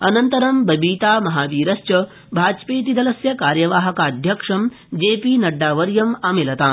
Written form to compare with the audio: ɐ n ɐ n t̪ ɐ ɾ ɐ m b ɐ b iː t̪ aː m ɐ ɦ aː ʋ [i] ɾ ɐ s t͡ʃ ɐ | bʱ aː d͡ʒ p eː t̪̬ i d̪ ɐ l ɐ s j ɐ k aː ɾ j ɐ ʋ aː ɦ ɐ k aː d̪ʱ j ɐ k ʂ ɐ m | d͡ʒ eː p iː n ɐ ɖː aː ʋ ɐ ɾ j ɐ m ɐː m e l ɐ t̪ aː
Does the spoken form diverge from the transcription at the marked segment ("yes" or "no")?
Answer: yes